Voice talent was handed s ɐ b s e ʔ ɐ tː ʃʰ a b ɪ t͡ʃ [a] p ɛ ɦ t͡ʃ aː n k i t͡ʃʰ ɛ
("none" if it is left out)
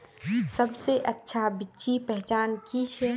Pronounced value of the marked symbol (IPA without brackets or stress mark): i